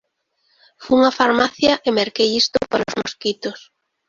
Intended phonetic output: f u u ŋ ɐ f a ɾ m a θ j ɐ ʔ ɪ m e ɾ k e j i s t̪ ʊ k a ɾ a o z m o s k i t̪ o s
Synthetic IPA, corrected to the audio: f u u ŋ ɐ f a ɾ m a θ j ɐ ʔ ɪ m e ɾ k e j i s t̪ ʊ p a ɾ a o z m o s k i t̪ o s